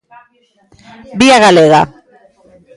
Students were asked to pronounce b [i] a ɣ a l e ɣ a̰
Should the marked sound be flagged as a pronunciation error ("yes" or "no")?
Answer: no